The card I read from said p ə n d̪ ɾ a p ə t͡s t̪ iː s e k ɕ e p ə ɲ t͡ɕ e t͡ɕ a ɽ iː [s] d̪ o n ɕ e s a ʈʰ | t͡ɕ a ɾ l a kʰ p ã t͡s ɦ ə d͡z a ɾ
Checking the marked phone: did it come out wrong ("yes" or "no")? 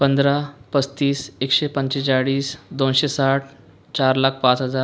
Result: no